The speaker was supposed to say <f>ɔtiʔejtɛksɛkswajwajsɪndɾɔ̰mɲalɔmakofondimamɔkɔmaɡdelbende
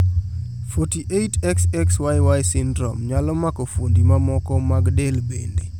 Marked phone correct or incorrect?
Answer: correct